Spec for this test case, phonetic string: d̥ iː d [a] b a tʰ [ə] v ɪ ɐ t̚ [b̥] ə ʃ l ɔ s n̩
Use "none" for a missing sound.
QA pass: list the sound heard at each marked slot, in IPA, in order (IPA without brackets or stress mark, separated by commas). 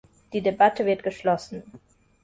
e, ə, ɡ̥